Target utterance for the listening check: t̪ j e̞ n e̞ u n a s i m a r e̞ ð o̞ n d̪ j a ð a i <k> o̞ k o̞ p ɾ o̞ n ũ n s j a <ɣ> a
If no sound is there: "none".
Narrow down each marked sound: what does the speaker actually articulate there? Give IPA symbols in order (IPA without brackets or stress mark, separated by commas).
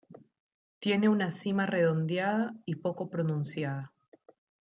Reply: p, ð